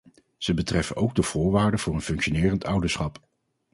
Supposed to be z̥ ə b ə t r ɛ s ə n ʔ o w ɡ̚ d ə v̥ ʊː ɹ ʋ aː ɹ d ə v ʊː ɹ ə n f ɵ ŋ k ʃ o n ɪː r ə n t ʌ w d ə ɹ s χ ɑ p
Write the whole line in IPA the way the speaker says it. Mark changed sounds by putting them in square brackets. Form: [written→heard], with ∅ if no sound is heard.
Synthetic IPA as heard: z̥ ə b ə t r ɛ [s→f] ə n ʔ o w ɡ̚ d ə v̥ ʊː ɹ ʋ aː ɹ d ə v ʊː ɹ ə n f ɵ ŋ k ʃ o n ɪː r ə n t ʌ w d ə ɹ s χ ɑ p